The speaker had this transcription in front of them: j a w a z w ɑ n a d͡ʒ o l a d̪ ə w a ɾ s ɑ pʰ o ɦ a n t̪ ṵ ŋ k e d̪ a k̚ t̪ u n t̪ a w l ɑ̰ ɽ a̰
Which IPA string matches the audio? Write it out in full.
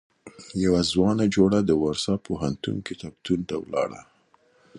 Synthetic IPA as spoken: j a w a z w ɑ n a d͡ʒ o ɽ a d̪ ə w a ɾ s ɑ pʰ o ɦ a n t̪ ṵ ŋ k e t̪ a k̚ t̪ u n t̪ a w l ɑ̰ ɽ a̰